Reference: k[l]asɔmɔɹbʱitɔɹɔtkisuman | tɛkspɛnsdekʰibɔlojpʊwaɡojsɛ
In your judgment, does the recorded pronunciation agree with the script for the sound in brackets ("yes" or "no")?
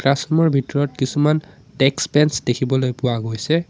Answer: no